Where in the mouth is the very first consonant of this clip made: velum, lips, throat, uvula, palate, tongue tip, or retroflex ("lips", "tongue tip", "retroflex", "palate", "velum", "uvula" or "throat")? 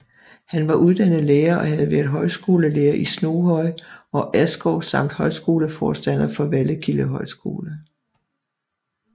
throat